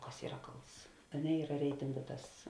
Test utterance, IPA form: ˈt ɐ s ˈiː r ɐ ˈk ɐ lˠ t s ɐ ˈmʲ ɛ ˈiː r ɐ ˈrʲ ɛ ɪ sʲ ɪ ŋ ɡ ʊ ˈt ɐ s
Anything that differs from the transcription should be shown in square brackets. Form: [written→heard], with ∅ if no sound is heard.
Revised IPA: [ˈt→ˈk] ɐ s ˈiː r ɐ ˈk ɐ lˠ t s ɐ [ˈmʲ→ˈnʲ] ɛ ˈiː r ɐ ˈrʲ ɛ ɪ [sʲ→tʲ] ɪ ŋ ɡ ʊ ˈt ɐ s